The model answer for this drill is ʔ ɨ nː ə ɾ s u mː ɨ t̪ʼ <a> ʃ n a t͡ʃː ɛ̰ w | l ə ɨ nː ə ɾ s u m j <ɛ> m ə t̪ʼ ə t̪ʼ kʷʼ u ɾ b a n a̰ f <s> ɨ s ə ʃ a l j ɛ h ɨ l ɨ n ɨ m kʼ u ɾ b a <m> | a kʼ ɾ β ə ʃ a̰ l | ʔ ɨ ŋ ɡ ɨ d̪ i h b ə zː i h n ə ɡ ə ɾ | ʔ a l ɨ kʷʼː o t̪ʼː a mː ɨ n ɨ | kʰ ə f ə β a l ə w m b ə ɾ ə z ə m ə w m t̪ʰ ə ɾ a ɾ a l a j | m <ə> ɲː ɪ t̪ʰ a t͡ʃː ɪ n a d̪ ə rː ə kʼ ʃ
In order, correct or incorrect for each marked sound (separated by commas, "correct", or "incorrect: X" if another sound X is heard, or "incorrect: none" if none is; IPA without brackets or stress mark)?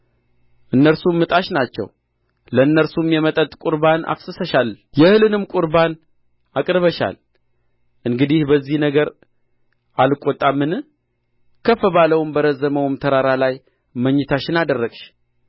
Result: correct, correct, correct, incorrect: n, correct